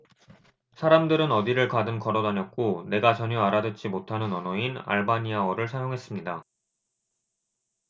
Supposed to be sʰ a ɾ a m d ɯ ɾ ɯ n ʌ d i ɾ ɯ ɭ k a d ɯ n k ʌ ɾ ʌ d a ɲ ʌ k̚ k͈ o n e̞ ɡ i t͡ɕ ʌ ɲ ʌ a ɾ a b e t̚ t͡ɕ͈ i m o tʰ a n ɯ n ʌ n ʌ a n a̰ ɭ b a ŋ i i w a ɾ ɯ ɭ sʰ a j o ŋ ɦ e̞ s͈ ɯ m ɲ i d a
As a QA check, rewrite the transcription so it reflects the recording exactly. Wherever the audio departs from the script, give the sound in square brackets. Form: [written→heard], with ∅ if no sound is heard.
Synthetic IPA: sʰ a ɾ a m d ɯ ɾ ɯ n ʌ d i ɾ ɯ ɭ k a d ɯ n k ʌ ɾ ʌ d a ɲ ʌ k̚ k͈ o n e̞ ɡ [i→a] t͡ɕ ʌ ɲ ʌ a ɾ a [b→d] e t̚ t͡ɕ͈ i m o tʰ a n ɯ n ʌ n ʌ [a→i] n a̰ ɭ b a [ŋ→ɲ] i [i→a] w [a→ʌ] ɾ ɯ ɭ sʰ a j o ŋ ɦ e̞ s͈ ɯ m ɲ i d a